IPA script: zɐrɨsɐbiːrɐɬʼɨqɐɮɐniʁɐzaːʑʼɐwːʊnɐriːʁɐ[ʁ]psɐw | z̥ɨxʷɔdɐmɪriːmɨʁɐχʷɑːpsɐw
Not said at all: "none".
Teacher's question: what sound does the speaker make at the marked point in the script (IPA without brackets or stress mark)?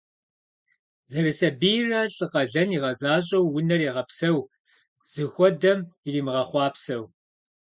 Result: none